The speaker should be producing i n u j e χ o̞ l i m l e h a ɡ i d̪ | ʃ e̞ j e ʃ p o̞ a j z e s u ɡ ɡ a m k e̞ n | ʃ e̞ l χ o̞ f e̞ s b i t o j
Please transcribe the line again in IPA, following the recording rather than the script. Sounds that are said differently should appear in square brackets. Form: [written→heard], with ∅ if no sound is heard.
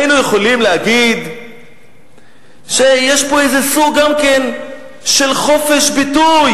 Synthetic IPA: i n u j e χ o̞ l i m l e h a ɡ i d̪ | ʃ e̞ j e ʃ p o̞ [a→e] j z e s u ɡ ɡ a m k e̞ n | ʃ e̞ l χ o̞ f e̞ [s→ʃ] b i t [o→u] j